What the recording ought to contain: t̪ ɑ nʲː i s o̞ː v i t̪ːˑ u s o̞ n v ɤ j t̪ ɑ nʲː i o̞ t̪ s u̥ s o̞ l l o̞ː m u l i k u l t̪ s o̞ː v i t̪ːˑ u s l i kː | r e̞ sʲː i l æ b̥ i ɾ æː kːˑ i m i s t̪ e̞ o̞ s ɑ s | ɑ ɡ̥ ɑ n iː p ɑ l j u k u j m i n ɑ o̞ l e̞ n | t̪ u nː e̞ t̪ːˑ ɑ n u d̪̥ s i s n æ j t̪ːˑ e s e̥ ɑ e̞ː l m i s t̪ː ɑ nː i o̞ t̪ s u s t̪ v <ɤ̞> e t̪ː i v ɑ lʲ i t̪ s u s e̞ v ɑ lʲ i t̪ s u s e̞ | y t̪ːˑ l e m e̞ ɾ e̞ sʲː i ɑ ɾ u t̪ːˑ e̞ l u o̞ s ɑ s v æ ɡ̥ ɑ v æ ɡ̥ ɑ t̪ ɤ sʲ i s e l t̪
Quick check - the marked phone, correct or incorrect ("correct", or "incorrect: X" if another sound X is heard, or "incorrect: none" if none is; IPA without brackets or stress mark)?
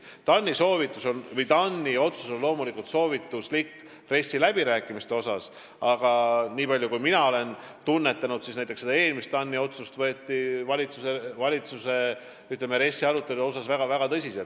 correct